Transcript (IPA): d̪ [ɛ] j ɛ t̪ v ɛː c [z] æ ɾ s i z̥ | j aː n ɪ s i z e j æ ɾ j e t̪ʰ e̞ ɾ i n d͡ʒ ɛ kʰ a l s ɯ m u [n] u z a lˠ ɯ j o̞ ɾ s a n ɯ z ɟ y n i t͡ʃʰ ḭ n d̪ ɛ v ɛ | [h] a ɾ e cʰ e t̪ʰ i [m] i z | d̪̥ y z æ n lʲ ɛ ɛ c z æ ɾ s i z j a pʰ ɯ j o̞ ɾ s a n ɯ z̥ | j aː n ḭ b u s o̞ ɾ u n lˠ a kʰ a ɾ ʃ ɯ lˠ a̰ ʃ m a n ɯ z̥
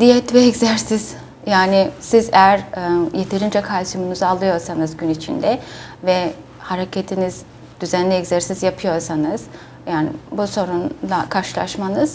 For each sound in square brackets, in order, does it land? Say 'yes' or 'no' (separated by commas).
no, yes, yes, yes, no